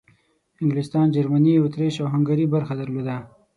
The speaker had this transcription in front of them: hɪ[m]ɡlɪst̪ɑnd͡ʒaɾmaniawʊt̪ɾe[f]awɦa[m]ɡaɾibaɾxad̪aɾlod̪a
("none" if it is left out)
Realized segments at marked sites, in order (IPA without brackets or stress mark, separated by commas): ŋ, ʃ, ŋ